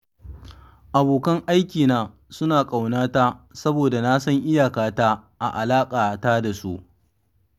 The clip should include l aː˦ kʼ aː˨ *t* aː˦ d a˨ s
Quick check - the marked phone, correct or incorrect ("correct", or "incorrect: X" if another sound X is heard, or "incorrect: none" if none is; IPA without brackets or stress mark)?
correct